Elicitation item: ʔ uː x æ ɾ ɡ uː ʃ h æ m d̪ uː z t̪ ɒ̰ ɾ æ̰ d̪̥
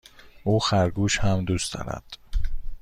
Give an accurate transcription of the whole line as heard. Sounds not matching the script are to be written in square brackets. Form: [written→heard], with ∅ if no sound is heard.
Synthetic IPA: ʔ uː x æ ɾ ɡ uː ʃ h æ m d̪ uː [z→s] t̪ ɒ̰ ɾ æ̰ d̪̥

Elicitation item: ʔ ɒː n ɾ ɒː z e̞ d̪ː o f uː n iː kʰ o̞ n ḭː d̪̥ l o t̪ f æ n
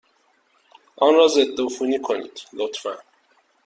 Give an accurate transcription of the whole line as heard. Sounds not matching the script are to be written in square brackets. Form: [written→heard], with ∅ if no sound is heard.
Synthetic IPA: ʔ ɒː n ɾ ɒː z e̞ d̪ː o f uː n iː kʰ o̞ n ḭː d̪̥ l o t̪ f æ n

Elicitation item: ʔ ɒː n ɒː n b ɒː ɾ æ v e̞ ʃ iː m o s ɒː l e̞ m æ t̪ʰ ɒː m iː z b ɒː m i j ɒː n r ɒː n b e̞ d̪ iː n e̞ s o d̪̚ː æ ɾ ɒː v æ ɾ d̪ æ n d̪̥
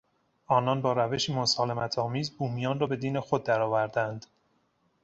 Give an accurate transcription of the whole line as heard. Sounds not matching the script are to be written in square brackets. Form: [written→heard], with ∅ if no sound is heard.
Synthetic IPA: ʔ ɒː n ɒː n b ɒː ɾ æ v e̞ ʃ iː m o s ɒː l e̞ m æ t̪ʰ ɒː m iː z b [ɒː→uː] m i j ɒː n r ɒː [n→∅] b e̞ d̪ iː n e̞ [s→x] o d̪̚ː æ ɾ ɒː v æ ɾ d̪ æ n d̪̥

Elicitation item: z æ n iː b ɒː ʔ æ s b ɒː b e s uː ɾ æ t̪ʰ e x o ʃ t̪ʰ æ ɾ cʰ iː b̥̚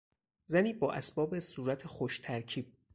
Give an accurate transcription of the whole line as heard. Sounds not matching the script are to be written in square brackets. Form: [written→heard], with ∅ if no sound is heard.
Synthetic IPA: z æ n iː b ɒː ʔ æ s b ɒː b e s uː ɾ æ t̪ʰ e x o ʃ t̪ʰ æ ɾ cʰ iː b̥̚

